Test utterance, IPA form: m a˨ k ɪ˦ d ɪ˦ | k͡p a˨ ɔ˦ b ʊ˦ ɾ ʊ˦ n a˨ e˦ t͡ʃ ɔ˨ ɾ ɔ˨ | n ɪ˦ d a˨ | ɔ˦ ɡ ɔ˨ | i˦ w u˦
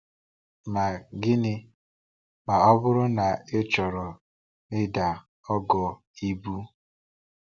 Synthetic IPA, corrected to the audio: m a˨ ɡ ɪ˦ n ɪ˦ | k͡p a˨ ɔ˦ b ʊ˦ ɾ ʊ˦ n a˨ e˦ t͡ʃ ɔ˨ ɾ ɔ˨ | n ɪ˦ d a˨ | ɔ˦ ɡ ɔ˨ | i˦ b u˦